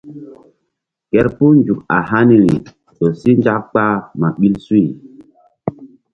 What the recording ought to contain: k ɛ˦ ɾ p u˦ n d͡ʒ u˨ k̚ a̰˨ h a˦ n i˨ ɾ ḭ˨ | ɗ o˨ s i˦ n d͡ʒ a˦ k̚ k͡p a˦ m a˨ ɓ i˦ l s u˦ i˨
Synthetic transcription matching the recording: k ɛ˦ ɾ p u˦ n d͡ʒ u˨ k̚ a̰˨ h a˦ n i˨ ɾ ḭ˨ | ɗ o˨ s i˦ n d͡ʒ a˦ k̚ k͡p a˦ m a˨ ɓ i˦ l s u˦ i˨